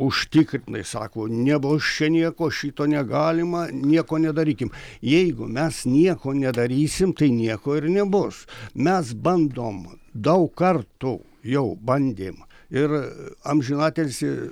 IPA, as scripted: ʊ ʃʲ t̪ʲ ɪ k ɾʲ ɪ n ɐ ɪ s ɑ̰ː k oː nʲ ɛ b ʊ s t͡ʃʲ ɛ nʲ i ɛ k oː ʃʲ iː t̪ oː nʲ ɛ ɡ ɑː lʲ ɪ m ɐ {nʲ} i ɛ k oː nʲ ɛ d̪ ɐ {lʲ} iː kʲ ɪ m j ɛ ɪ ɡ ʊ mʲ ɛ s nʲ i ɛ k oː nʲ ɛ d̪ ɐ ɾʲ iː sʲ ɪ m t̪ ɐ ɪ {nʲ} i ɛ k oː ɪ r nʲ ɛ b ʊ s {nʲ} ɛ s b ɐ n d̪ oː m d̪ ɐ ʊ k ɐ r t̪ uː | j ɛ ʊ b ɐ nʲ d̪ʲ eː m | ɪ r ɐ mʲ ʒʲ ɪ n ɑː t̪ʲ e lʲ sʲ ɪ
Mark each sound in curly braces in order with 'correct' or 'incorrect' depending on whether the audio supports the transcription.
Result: correct, incorrect, correct, incorrect

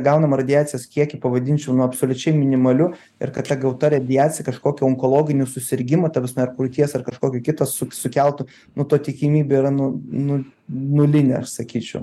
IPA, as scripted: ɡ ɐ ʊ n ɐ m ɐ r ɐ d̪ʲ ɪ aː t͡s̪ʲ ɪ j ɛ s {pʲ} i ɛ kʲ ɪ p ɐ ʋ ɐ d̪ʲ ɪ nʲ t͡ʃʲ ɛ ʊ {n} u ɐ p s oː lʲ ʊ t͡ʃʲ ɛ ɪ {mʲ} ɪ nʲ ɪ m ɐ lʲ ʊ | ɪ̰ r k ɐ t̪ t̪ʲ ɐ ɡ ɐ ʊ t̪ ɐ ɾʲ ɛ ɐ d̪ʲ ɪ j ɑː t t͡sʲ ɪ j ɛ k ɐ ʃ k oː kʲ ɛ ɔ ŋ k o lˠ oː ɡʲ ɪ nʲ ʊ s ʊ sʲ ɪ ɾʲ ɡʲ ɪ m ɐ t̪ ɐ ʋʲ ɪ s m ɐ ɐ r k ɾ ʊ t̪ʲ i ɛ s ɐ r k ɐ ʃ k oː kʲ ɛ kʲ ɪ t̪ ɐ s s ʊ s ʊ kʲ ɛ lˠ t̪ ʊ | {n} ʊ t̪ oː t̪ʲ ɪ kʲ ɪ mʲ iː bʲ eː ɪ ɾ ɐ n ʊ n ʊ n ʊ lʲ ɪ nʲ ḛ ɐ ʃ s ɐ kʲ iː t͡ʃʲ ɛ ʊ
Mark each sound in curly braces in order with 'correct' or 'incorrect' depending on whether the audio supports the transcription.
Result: incorrect, correct, correct, correct

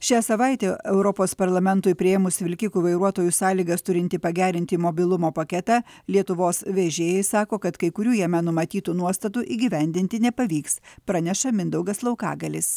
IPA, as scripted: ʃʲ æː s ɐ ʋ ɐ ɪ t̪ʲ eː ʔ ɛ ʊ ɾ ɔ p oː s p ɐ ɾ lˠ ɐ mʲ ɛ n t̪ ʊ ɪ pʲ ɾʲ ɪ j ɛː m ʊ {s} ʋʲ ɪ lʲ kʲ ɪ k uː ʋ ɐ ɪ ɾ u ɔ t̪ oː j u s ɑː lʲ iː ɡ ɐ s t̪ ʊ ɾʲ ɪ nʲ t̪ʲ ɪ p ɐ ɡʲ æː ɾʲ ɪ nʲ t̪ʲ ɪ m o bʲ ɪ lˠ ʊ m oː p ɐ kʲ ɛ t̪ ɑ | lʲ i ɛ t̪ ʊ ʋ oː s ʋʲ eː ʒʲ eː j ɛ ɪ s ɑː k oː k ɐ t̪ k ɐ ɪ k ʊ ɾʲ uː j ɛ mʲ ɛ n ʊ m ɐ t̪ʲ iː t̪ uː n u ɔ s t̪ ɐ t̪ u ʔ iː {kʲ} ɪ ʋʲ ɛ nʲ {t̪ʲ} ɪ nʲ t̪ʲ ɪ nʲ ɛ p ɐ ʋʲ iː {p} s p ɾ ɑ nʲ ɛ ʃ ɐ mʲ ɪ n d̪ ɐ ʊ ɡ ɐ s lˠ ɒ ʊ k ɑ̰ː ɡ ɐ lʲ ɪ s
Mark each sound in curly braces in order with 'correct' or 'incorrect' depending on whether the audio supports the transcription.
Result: correct, incorrect, incorrect, incorrect

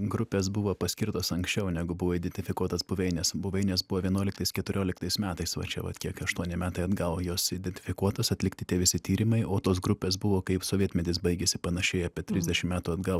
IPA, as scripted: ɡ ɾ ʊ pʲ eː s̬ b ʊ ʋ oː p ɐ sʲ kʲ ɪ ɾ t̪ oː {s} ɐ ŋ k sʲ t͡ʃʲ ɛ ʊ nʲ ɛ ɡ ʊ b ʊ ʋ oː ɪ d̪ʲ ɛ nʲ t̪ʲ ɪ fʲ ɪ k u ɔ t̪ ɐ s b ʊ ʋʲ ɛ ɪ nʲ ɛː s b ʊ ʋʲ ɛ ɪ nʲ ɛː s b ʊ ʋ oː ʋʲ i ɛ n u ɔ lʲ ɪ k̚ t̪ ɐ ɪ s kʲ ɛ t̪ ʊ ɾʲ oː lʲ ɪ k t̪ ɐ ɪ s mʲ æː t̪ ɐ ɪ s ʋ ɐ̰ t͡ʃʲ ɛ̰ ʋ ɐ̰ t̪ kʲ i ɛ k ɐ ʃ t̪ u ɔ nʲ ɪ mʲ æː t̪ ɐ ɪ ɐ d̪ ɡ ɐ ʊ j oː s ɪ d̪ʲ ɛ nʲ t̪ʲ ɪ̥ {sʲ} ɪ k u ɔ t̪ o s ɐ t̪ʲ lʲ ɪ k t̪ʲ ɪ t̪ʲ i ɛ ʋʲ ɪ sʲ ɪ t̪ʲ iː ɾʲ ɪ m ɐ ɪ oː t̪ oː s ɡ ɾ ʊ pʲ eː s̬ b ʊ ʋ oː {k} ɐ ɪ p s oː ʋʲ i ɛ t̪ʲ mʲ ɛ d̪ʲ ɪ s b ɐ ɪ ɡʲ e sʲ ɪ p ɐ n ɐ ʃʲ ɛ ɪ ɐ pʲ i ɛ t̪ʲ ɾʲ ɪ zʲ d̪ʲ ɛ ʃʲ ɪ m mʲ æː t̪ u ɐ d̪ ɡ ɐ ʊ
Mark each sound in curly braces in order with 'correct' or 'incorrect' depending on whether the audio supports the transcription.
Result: correct, incorrect, correct

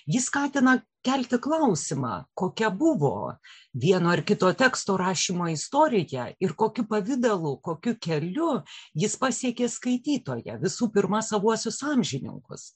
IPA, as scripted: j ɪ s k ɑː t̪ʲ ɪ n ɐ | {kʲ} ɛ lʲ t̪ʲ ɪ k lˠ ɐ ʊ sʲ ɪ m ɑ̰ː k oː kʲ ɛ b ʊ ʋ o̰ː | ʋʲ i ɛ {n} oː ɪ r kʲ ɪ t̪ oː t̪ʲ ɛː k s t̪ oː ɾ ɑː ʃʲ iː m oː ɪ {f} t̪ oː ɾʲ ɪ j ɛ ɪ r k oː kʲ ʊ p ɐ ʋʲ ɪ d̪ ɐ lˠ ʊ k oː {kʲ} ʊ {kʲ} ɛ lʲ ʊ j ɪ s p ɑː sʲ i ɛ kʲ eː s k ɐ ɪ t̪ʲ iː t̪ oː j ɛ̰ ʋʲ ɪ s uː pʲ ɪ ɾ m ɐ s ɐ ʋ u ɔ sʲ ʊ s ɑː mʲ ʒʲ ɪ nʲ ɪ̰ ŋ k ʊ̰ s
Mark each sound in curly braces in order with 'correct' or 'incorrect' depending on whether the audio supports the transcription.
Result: correct, correct, incorrect, correct, correct

